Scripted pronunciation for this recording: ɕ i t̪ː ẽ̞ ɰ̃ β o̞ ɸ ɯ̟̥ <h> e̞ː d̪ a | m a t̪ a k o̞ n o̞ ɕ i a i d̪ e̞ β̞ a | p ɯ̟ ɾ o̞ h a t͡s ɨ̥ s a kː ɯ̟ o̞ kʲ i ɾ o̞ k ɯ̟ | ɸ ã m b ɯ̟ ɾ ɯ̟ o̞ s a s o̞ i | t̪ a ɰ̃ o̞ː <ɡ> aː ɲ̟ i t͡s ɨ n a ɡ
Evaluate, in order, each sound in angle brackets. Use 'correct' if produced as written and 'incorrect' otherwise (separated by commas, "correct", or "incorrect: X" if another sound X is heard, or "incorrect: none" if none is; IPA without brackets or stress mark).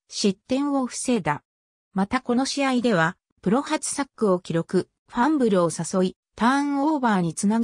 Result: incorrect: s, incorrect: b